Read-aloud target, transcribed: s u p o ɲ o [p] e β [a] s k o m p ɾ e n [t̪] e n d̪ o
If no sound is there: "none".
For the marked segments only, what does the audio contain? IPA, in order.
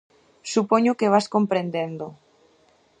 k, a, d̪

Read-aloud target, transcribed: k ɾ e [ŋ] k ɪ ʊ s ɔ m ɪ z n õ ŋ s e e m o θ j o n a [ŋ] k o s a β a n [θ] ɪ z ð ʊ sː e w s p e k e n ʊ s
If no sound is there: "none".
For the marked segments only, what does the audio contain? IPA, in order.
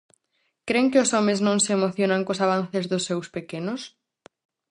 ŋ, ŋ, θ

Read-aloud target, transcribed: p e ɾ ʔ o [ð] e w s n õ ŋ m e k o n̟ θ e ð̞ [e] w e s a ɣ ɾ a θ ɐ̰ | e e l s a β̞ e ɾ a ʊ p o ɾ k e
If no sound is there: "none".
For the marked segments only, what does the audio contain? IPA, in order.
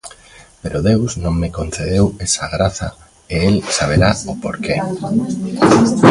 ð, e

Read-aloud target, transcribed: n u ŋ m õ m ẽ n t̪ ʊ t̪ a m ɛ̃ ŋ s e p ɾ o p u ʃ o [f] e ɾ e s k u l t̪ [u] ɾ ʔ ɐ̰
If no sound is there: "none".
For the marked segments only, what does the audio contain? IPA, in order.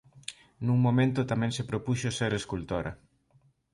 s, o

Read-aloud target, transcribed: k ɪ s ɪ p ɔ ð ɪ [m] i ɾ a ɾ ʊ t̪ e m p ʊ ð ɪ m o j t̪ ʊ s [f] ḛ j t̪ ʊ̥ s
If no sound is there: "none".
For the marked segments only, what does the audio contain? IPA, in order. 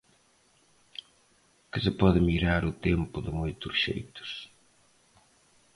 m, ʃ

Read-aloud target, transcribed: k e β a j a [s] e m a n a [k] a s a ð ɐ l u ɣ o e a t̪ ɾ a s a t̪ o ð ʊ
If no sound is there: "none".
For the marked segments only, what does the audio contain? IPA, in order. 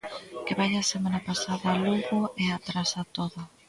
s, p

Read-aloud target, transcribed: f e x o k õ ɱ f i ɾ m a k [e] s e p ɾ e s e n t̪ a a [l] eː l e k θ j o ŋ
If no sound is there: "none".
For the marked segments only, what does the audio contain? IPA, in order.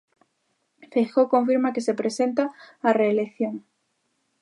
e, r

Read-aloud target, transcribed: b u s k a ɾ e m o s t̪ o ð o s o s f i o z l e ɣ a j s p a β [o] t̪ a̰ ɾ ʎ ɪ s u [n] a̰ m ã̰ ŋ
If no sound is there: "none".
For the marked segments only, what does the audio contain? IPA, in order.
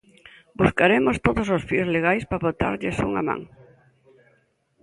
o, ŋ

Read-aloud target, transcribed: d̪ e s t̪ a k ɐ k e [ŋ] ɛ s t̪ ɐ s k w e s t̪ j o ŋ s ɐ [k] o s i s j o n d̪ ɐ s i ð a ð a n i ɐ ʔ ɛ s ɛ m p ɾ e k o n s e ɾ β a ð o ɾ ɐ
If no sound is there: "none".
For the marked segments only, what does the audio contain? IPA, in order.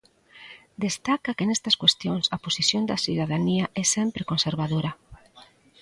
n, p

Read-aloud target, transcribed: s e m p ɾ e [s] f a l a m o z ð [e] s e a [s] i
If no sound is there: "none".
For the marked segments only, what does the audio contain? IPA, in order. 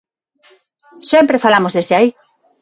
none, e, none

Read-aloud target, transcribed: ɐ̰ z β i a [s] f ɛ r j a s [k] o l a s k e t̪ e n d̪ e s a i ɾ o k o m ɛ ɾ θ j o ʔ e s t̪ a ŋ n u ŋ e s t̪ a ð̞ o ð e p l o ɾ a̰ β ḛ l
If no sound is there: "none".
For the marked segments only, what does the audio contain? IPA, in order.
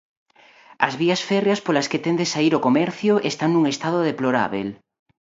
s, p

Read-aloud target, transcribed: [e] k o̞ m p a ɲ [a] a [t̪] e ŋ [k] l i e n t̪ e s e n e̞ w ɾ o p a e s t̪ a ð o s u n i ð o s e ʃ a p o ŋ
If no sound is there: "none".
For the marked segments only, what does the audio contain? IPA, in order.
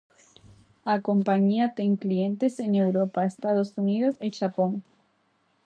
a, i, t̪, k

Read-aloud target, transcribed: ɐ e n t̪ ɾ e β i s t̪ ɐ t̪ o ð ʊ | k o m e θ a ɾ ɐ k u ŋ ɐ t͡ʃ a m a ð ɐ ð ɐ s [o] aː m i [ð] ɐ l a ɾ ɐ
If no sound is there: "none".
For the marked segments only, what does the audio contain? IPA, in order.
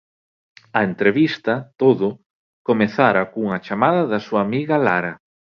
u, ɣ

